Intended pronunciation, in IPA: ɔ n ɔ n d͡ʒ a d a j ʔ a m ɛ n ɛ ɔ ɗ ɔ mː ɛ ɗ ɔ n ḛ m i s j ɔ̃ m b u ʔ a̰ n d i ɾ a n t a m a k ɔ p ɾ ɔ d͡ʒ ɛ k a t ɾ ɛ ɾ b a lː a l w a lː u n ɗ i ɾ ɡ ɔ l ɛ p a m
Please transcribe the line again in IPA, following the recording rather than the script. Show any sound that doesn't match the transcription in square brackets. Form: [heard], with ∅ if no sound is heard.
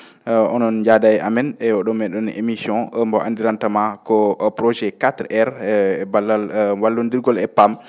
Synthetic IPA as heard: ɔ n ɔ n d͡ʒ a d a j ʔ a m ɛ n ɛ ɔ ɗ ɔ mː ɛ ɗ ɔ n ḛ m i s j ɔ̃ m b [ɔ] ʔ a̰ n d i ɾ a n t a m a k ɔ p ɾ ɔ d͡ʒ ɛ k a t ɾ ɛ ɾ b a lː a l w a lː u n [d] i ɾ ɡ ɔ l ɛ p a m